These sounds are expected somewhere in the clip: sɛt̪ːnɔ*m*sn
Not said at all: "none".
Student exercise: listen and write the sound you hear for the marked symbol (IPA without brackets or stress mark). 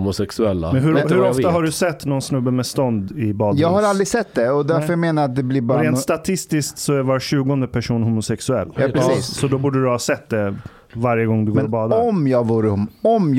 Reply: n